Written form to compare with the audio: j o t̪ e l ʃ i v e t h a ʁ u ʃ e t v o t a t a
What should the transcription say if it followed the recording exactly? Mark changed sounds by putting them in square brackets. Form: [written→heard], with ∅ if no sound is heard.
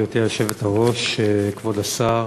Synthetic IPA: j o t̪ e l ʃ [i→e] v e t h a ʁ [u→o] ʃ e [t→k] v o [t→d] a [t→s] a